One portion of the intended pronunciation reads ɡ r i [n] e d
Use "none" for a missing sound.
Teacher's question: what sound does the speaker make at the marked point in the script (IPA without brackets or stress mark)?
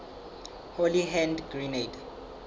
n